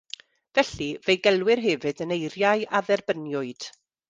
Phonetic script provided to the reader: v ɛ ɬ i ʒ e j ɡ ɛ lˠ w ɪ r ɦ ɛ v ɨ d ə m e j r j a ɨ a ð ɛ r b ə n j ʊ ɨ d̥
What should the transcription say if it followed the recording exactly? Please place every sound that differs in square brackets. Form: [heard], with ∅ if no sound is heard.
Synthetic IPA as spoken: v ɛ ɬ i [v] e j ɡ ɛ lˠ w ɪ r ɦ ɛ v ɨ d ə [n] e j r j a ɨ a ð ɛ r b ə n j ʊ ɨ d̥